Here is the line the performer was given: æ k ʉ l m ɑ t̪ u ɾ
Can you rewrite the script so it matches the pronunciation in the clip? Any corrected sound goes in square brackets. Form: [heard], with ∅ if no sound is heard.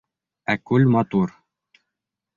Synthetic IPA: æ k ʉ l m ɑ t̪ u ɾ